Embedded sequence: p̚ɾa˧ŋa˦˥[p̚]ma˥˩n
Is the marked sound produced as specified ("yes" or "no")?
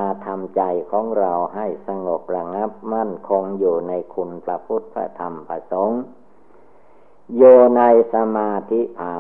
yes